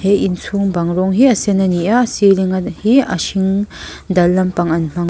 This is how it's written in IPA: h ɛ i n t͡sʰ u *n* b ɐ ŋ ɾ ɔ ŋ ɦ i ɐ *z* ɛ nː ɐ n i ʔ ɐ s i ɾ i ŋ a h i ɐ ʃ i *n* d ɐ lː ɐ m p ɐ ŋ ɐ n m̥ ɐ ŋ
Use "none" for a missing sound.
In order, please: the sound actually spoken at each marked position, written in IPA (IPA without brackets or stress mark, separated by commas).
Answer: ŋ, s, ŋ